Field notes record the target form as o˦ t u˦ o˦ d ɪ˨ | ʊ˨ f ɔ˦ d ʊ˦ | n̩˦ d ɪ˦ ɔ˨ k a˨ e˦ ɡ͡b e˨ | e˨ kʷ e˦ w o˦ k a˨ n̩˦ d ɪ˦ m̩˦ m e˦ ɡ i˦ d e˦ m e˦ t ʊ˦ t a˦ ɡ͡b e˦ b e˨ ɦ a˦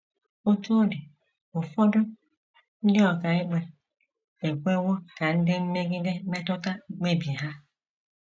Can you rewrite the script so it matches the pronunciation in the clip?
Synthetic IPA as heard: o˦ t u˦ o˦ d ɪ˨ | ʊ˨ f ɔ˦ d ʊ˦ | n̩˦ d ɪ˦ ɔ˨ k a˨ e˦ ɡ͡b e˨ | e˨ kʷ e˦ w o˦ k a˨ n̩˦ d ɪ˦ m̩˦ m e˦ ɡ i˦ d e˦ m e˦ t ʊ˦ t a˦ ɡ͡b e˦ b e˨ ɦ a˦